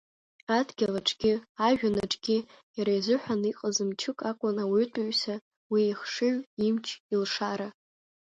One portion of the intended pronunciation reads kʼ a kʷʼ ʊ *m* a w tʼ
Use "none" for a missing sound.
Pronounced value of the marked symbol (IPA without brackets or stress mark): n